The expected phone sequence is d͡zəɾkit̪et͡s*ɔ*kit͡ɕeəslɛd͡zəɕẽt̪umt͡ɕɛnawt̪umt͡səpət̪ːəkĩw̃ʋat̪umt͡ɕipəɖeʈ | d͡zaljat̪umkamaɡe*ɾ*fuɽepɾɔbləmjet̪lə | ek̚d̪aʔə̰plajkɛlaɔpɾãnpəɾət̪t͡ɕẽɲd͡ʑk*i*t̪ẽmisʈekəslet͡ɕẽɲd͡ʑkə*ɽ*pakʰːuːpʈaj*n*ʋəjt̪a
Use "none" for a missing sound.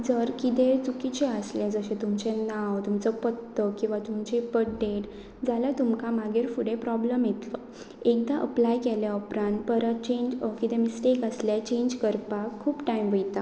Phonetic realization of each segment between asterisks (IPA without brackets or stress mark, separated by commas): u, ɾ, i, ɾ, m